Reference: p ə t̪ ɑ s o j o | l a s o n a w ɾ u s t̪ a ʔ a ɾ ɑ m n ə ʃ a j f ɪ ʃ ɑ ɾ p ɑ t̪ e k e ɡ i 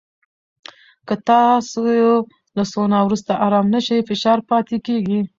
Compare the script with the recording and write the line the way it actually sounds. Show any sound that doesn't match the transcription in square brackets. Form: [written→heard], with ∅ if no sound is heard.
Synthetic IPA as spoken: [p→k] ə t̪ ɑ s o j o | l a s o n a w ɾ u s t̪ a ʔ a ɾ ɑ m n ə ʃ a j f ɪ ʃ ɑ ɾ p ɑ t̪ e k e ɡ i